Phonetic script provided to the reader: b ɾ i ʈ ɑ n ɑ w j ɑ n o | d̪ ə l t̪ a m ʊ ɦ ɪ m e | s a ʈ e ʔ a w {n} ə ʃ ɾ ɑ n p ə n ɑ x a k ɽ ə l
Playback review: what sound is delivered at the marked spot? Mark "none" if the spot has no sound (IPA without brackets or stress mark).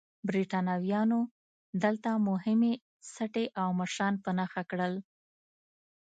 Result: m